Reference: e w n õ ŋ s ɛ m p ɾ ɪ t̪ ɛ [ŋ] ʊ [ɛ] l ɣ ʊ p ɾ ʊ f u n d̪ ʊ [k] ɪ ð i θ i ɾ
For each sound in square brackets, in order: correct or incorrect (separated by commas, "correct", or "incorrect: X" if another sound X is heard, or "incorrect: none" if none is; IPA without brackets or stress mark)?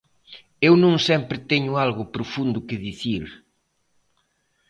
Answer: incorrect: ɲ, incorrect: a, correct